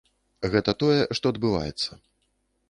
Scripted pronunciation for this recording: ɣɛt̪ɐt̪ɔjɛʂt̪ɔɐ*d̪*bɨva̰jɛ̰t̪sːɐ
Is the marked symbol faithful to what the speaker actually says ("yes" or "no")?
yes